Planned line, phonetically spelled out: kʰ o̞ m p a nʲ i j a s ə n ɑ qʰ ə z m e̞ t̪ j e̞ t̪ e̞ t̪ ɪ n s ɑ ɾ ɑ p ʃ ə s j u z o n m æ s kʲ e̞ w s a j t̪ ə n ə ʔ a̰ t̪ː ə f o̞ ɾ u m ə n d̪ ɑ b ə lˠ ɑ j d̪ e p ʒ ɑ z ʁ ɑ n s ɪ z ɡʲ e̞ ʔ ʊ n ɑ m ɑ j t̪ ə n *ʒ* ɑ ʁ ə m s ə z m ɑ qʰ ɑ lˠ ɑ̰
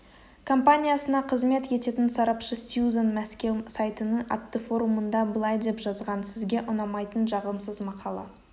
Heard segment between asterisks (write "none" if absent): ʒ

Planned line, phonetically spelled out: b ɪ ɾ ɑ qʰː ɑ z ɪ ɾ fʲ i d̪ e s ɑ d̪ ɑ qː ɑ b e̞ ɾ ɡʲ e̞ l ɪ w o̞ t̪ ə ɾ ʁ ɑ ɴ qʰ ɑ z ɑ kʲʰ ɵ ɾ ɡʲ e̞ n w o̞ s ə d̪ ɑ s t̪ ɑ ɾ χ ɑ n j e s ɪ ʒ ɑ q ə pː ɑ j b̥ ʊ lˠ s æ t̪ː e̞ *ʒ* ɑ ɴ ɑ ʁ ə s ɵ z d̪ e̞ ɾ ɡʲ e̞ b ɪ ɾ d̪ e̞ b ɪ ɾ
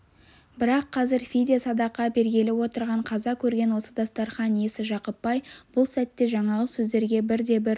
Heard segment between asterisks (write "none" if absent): ʒ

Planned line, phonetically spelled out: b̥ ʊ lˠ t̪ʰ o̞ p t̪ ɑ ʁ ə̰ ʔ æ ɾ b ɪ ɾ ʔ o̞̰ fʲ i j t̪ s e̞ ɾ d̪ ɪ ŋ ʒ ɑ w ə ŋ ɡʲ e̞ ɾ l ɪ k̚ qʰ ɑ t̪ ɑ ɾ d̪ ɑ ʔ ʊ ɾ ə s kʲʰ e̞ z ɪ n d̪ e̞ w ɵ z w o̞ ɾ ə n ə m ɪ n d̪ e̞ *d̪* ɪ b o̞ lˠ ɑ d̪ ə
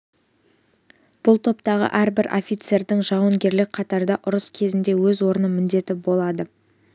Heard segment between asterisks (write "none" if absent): t̪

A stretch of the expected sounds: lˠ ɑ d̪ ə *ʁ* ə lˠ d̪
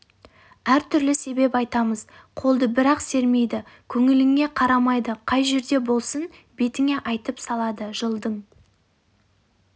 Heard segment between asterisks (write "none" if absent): ʒ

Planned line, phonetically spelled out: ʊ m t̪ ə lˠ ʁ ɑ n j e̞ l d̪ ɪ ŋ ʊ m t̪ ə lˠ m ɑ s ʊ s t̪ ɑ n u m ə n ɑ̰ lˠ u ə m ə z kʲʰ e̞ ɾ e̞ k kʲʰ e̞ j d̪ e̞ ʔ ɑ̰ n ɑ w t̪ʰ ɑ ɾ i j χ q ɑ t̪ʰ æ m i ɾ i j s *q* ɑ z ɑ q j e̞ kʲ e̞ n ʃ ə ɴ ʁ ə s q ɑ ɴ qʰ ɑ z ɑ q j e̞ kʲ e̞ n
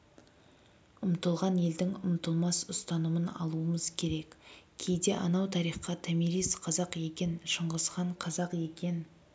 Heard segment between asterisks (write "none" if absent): qʰ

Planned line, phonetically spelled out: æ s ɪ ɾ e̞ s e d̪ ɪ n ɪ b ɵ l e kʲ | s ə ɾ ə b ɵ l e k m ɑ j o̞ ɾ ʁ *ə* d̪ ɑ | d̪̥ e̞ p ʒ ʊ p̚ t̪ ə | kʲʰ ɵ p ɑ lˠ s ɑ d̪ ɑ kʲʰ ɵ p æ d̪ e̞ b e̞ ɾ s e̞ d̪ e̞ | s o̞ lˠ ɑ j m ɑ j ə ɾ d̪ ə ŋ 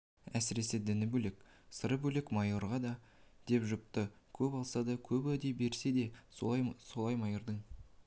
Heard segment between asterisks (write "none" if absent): ɑ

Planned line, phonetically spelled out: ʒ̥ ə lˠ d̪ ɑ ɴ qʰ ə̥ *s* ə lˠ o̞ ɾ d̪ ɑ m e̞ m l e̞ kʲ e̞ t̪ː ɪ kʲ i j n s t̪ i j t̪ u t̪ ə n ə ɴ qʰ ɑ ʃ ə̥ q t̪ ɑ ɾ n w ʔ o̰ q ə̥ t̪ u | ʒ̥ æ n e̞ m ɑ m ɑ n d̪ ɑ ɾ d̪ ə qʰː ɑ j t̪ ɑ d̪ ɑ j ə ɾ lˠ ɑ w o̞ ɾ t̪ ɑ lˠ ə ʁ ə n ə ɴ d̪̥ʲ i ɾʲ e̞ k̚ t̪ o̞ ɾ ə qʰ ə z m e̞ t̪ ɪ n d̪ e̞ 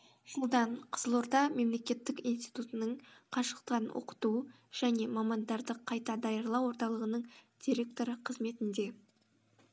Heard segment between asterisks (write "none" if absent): z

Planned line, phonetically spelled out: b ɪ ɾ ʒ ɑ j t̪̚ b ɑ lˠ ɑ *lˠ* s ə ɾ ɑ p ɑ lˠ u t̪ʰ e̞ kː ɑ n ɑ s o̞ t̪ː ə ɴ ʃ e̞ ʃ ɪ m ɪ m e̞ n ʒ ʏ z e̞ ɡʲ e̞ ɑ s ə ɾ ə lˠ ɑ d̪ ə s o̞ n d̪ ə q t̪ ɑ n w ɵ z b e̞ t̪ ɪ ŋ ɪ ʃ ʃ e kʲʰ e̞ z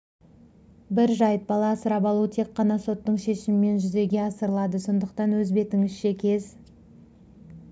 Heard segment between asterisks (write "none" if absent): none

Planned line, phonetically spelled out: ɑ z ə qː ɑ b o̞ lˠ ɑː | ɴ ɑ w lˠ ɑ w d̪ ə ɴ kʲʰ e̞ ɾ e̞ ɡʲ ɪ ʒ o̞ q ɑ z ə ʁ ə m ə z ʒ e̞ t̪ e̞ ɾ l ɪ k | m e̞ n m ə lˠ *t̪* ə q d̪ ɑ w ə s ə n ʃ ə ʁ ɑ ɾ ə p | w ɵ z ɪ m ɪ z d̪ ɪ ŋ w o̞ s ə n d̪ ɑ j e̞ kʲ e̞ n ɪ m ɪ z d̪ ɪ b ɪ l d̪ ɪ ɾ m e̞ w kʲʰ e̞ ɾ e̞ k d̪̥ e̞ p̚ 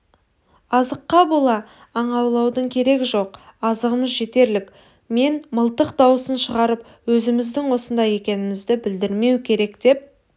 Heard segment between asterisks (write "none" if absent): t̪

